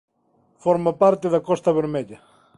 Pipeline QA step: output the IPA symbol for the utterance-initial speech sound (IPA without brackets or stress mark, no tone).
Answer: f